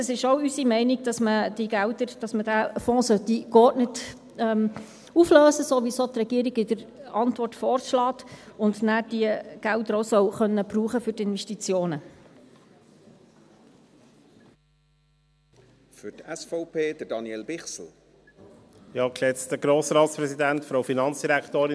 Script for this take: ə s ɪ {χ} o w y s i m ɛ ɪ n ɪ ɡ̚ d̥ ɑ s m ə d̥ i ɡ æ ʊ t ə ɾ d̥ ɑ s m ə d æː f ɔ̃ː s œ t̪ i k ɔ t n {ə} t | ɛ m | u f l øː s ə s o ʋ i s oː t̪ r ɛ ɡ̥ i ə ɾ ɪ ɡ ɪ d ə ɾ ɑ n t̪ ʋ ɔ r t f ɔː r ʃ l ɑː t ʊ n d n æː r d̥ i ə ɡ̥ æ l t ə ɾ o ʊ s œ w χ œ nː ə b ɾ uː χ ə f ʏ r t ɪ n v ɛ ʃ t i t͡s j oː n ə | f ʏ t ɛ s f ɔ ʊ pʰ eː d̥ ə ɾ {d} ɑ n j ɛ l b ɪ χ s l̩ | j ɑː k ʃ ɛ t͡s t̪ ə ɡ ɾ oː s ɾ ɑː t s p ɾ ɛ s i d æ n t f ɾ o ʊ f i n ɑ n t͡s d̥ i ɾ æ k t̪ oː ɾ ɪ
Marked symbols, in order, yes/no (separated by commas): no, yes, yes